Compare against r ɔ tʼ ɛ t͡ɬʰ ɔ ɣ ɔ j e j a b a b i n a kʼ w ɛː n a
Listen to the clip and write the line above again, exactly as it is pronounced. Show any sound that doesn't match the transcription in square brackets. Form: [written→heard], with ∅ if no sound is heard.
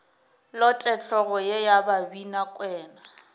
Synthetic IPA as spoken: [r→l] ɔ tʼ ɛ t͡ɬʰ ɔ ɣ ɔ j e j a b a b i n a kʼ w ɛː n a